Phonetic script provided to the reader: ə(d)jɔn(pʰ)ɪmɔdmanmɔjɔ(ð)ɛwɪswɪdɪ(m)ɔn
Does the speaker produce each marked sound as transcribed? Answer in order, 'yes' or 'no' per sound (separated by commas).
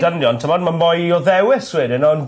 no, no, yes, no